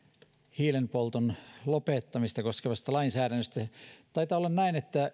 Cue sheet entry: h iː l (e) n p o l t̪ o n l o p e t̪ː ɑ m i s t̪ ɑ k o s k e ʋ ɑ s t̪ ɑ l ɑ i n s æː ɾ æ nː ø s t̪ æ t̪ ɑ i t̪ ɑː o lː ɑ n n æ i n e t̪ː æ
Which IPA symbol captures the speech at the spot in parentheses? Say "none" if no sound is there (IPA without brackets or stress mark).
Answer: e